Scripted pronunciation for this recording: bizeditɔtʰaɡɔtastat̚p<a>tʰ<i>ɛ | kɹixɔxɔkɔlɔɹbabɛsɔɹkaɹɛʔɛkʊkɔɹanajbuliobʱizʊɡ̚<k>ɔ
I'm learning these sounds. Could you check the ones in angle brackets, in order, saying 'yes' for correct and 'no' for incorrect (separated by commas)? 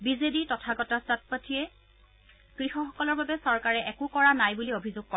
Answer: yes, yes, yes